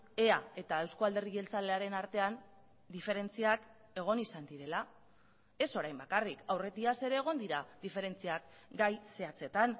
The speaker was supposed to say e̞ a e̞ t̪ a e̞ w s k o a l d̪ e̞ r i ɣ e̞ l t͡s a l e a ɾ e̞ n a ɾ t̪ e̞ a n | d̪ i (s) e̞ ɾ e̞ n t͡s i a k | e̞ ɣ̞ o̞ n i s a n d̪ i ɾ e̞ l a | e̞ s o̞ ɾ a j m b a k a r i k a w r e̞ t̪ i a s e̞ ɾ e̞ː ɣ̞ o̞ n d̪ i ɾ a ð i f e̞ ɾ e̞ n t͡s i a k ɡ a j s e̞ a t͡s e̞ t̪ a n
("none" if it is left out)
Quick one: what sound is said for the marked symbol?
f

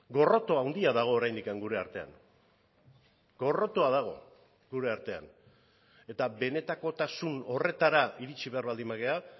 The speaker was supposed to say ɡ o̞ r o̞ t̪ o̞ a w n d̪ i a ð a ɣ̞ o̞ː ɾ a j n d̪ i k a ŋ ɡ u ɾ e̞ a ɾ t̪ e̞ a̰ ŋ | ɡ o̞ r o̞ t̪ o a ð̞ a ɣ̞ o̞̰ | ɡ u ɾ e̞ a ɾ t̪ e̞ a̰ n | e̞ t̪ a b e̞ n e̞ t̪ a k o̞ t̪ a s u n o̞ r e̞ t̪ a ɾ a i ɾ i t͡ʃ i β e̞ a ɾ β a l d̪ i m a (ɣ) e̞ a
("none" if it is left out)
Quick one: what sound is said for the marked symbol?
ɣ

